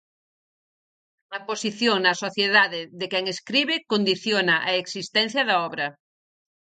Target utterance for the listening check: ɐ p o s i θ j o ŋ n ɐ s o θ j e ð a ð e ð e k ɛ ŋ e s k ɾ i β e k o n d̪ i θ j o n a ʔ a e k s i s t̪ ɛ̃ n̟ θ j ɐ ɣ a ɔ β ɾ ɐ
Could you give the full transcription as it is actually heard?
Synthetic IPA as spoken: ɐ p o s i θ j o ŋ n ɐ s o θ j e ð a ð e ð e k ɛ ŋ e s k ɾ i β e k o n d̪ i θ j o n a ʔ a e k s i s t̪ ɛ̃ n̟ θ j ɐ ð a ɔ β ɾ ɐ